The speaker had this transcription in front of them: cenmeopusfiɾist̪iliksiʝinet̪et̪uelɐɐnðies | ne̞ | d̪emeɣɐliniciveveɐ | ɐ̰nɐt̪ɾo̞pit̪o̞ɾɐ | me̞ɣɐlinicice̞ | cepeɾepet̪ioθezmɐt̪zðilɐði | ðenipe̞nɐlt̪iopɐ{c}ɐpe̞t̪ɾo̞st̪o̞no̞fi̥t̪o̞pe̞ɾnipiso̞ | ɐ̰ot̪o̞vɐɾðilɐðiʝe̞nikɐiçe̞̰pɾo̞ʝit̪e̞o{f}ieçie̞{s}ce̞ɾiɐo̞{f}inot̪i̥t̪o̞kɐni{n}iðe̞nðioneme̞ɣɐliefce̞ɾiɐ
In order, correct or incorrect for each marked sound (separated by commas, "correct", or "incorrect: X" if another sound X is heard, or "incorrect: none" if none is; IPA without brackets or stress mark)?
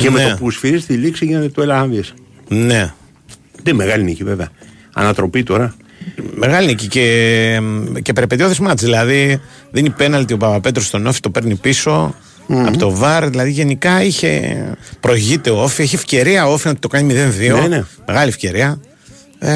incorrect: p, correct, incorrect: f, correct, incorrect: m